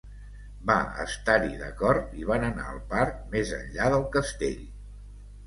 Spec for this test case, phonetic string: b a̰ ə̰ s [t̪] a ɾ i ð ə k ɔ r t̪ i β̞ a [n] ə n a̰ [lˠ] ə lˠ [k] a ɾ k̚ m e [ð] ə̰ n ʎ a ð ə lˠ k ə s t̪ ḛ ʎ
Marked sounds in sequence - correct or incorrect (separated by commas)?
correct, correct, incorrect, incorrect, incorrect